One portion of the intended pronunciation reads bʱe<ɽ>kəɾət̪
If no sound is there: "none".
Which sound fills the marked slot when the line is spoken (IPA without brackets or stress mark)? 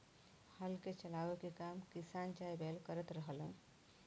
l